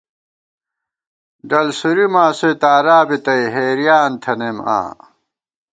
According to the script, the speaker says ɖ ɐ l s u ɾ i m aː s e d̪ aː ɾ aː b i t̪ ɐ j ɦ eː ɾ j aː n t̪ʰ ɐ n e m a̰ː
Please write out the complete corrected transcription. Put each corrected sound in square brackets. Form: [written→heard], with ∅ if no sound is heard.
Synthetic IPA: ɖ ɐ l s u ɾ i m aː s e [d̪→t̪] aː ɾ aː b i t̪ ɐ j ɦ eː ɾ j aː n t̪ʰ ɐ n e m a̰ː